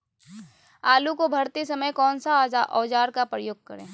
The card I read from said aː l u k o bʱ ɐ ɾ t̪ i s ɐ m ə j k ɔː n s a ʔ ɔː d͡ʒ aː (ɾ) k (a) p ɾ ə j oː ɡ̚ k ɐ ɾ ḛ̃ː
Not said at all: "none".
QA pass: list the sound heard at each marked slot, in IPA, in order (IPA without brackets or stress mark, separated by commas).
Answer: ɾ, a